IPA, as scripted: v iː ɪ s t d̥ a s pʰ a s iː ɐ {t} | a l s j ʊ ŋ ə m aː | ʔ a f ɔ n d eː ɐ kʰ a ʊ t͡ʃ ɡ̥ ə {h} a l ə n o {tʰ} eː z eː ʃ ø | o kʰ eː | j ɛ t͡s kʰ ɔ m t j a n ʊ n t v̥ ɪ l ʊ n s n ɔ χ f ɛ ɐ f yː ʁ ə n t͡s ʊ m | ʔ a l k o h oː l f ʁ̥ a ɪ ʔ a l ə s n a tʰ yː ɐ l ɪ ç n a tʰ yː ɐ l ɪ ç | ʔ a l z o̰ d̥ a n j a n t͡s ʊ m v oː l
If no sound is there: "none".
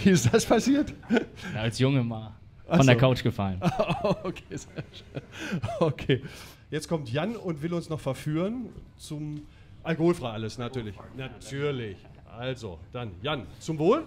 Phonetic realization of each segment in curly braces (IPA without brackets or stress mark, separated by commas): t, f, kʰ